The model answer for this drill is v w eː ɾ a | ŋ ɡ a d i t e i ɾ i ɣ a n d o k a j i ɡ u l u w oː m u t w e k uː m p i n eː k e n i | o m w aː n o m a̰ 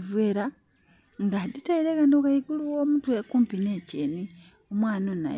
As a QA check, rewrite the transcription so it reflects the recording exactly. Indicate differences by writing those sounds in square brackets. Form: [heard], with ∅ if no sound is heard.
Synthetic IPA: v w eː ɾ a | ŋ ɡ a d i t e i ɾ [e] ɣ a n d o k a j i ɡ u l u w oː m u t w e k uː m p i n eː [c] e n i | o m w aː n o [n] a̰